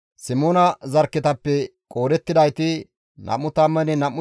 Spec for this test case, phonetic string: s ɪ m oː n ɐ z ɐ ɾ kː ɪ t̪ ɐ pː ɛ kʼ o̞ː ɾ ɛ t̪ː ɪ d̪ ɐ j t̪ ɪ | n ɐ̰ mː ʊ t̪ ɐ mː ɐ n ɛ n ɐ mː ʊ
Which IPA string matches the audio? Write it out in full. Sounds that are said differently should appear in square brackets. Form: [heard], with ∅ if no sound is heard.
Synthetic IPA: s ɪ m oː n ɐ z ɐ ɾ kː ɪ t̪ ɐ pː ɛ kʼ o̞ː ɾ ɛ t̪ː ɪ d̪ ɐ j t̪ ɪ | n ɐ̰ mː ʊ t̪ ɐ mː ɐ n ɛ n ɐ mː ʊ

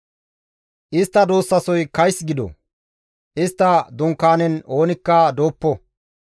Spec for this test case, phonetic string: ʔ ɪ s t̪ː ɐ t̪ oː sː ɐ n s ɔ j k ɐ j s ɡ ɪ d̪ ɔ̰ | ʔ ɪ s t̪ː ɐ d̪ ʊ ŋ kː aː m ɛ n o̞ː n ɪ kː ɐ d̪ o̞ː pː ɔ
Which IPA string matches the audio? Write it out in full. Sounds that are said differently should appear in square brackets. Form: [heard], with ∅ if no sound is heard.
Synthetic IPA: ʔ ɪ s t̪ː ɐ [d̪] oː sː ɐ [∅] s ɔ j k ɐ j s ɡ ɪ d̪ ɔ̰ | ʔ ɪ s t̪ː ɐ d̪ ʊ ŋ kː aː [n] ɛ n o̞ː n ɪ kː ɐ d̪ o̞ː pː ɔ

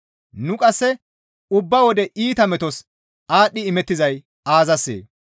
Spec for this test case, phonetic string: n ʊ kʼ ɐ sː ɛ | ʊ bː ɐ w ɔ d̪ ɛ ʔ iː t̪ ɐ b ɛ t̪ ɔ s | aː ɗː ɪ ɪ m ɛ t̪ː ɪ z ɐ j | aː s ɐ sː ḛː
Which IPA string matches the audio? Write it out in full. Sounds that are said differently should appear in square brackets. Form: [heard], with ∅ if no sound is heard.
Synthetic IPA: n ʊ kʼ ɐ sː ɛ | ʊ bː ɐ w ɔ d̪ ɛ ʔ iː t̪ ɐ [m] ɛ t̪ ɔ s | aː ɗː ɪ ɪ m ɛ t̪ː ɪ z ɐ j | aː [z] ɐ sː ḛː

